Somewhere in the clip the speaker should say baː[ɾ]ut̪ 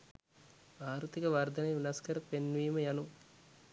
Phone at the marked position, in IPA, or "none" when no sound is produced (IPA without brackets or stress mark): ɾ